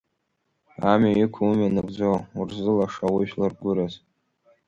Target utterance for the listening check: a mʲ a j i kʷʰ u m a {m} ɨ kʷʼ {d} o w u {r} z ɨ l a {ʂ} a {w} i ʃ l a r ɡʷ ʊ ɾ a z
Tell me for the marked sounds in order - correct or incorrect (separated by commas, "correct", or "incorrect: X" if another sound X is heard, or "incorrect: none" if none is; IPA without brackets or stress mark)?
incorrect: n, incorrect: d͡z, correct, correct, correct